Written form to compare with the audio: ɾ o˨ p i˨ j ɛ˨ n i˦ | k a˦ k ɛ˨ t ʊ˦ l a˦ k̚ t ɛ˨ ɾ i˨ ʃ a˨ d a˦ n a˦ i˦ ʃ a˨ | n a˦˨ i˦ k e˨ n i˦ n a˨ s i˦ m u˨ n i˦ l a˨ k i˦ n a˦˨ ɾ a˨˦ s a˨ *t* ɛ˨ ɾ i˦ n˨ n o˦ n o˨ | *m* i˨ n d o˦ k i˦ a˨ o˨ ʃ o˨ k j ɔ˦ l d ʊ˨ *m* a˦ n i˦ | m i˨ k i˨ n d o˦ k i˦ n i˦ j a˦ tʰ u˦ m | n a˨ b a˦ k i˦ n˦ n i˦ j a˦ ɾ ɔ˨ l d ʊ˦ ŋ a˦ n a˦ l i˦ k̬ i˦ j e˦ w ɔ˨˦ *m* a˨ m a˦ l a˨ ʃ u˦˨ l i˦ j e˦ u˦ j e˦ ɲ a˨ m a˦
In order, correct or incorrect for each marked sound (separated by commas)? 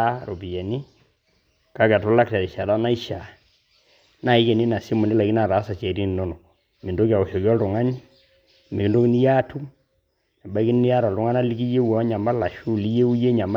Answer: incorrect, correct, incorrect, incorrect